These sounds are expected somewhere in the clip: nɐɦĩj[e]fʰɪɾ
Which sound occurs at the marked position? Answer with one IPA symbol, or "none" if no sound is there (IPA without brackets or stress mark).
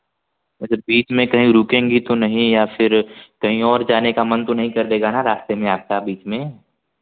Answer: a